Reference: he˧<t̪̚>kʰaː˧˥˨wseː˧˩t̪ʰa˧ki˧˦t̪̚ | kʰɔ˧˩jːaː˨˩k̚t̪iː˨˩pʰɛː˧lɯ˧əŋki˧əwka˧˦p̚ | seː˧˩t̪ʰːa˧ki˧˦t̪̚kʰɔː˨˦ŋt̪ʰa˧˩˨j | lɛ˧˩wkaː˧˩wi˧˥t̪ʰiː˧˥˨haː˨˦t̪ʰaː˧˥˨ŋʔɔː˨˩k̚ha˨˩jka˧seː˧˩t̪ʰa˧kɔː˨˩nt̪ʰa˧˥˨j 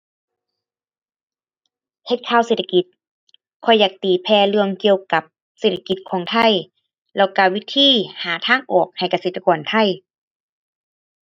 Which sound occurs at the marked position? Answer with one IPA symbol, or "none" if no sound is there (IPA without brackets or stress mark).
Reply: t̪̚